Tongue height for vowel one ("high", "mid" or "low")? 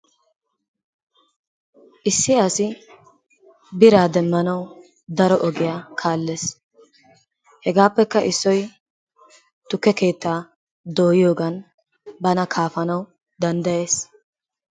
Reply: high